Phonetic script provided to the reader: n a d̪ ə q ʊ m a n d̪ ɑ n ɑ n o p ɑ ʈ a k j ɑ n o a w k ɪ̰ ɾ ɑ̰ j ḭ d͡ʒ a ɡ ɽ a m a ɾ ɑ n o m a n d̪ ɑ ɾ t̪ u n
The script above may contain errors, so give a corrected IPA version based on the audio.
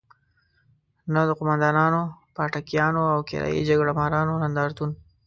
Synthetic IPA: n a d̪ ə q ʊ m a n d̪ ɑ n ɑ n o p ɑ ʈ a k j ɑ n o a w k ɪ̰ ɾ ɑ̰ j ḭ d͡ʒ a ɡ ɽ a m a ɾ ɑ n o n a n d̪ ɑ ɾ t̪ u n